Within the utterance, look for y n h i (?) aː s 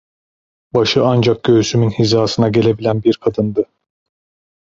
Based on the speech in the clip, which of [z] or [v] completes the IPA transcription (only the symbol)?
z